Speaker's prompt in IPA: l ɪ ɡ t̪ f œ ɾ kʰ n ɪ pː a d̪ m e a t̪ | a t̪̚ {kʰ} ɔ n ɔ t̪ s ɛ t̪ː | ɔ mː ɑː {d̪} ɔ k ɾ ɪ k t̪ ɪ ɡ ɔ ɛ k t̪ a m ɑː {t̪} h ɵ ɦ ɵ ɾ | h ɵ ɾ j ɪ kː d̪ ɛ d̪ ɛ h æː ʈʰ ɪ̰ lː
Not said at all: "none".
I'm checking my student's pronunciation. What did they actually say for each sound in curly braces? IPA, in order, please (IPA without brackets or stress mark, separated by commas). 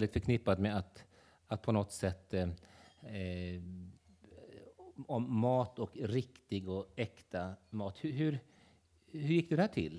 pʰ, t̪, t̪